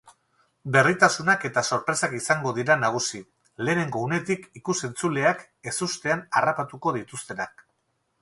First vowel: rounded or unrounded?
unrounded